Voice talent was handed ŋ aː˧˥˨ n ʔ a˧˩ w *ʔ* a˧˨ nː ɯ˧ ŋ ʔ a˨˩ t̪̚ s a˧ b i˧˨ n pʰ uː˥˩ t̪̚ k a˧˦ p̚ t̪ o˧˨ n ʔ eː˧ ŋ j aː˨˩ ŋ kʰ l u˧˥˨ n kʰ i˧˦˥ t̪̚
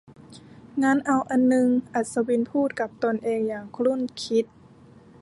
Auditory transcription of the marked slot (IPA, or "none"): ʔ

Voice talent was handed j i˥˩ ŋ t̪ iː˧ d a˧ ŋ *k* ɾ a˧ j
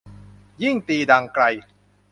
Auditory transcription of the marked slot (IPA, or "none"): k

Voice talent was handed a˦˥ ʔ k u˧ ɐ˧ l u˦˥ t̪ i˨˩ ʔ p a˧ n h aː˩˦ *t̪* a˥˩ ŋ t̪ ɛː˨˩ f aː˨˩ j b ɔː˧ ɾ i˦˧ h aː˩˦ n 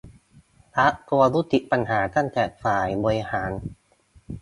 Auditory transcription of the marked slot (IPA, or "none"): t̪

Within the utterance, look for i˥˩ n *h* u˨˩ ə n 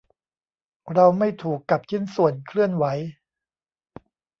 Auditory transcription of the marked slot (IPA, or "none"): s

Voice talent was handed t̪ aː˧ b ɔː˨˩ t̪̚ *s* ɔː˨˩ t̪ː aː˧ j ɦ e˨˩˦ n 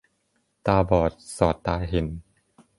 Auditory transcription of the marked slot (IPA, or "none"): s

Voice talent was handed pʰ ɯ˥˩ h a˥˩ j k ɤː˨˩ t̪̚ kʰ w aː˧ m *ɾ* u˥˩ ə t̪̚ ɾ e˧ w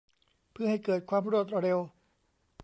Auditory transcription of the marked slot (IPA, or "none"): ɾ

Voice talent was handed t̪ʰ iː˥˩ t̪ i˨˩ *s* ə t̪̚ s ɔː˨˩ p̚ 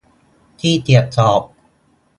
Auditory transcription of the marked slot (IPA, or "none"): none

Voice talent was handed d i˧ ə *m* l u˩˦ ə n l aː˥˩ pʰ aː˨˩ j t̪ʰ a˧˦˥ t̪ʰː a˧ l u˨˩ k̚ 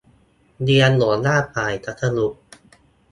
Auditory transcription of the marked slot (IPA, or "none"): n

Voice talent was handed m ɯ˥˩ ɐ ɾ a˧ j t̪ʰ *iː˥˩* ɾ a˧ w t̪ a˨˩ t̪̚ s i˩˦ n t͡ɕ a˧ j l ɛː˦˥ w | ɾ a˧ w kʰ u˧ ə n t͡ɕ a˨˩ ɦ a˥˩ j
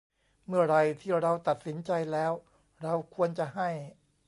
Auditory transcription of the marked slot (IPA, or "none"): iː˥˩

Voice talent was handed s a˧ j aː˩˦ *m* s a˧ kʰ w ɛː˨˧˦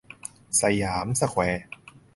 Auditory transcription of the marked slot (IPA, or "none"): m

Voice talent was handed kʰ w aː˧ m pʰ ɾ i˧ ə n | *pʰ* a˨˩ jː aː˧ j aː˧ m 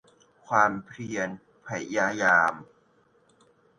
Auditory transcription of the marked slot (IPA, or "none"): pʰ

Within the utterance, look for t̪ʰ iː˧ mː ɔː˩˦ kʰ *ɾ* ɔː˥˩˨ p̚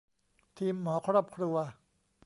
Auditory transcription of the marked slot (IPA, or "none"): ɾ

